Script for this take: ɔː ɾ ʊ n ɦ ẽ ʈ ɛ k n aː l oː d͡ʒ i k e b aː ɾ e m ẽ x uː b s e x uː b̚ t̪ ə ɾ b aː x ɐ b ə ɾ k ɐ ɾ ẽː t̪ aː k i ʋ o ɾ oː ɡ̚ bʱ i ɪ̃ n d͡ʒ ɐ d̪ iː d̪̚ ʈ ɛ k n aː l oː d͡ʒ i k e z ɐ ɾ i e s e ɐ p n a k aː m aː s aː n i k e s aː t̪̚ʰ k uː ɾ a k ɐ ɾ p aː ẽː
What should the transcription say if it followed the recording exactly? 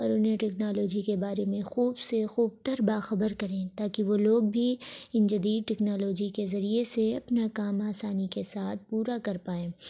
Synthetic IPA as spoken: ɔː ɾ ʊ n ɦ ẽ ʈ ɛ k n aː l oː d͡ʒ i k e b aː ɾ e m ẽ x uː b s e x uː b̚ t̪ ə ɾ b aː x ɐ b ə ɾ k ɐ ɾ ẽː t̪ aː k i ʋ o l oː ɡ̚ bʱ i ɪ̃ n d͡ʒ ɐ d̪ iː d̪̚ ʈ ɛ k n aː l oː d͡ʒ i k e z ɐ ɾ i e s e ɐ p n a k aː m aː s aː n i k e s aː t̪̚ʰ p uː ɾ a k ɐ ɾ p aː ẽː

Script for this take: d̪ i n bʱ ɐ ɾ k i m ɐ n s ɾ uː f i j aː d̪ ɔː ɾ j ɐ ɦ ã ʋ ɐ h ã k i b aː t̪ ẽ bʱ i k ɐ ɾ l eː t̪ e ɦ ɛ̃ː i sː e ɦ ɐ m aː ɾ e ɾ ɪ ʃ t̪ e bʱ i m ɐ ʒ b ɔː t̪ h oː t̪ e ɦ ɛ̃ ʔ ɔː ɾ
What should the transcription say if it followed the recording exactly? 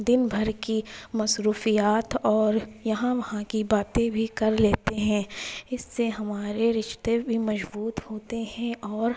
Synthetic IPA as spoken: d̪ ɪ n bʱ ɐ ɾ k i m ɐ s ɾ uː f i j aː t̪ ɔː ɾ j ɐ ɦ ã ʋ ɐ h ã k i b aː t̪ ẽ bʱ i k ɐ ɾ l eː t̪ e ɦ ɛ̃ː ɪ sː e ɦ ɐ m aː ɾ e ɾ ɪ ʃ t̪ e bʱ i m ɐ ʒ b uː t̪ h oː t̪ e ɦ ɛ̃ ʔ ɔː ɾ

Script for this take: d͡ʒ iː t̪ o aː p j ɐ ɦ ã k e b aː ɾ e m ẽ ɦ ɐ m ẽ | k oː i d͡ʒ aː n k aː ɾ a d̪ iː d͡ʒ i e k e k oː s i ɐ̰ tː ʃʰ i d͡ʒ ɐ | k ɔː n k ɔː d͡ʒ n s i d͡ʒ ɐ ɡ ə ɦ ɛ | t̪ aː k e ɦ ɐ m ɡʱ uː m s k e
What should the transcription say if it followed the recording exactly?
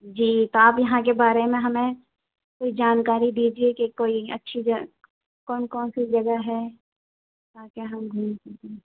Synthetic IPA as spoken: d͡ʒ iː t̪ o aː p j ɐ ɦ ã k e b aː ɾ e m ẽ ɦ ɐ m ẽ | k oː i d͡ʒ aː n k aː ɾ i d̪ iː d͡ʒ i e k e k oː i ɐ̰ tː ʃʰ i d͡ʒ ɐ | k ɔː n k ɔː n s i d͡ʒ ɐ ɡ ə ɦ ɛ | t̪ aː k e ɦ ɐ m ɡʱ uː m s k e

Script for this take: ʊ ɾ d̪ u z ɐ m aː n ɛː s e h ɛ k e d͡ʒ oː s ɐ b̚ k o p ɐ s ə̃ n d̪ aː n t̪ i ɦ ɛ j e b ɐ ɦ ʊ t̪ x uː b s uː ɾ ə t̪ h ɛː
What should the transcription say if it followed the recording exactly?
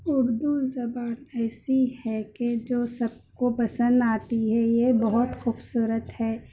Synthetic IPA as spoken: ʊ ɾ d̪ u z ɐ b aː n ɛː s i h ɛ k e d͡ʒ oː s ɐ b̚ k o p ɐ s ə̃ n d̪ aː t̪ i ɦ ɛ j e b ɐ ɦ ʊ t̪ x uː b s uː ɾ ə t̪ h ɛː

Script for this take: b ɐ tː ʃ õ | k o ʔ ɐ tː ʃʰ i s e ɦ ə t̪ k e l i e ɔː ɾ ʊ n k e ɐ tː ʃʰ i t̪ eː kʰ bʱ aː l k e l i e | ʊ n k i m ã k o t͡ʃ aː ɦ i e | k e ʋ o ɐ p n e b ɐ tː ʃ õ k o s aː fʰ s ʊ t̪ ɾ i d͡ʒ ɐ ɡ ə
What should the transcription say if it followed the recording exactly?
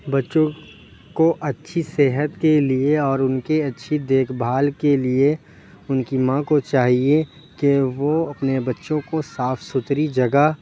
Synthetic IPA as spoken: b ɐ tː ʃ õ | k o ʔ ɐ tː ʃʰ i s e ɦ ə t̪ k e l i e ɔː ɾ ʊ n k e ɐ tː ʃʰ i d̪ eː kʰ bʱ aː l k e l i e | ʊ n k i m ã k o t͡ʃ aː ɦ i e | k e ʋ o ɐ p n e b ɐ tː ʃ õ k o s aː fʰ s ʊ t̪ ɾ i d͡ʒ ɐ ɡ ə

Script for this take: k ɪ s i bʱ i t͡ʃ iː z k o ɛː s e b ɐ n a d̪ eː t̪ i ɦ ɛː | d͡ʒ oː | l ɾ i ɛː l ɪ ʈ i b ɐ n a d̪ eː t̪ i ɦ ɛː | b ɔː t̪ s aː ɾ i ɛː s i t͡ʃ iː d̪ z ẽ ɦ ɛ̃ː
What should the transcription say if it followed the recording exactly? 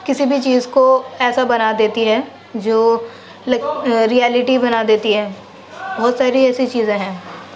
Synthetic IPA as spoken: k ɪ s i bʱ i t͡ʃ iː z k o ɛː s a b ɐ n a d̪ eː t̪ i ɦ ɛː | d͡ʒ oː | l ɾ i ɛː l ɪ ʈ i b ɐ n a d̪ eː t̪ i ɦ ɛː | b ɔː t̪ s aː ɾ i ɛː s i t͡ʃ iː z ẽ ɦ ɛ̃ː

